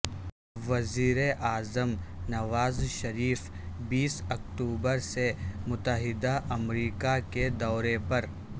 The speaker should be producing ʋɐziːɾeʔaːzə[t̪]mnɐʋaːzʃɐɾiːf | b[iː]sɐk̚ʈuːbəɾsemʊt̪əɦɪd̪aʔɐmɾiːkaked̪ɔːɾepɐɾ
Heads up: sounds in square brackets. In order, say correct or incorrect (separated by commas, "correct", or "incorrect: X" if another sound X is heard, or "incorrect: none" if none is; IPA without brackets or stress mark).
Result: incorrect: none, correct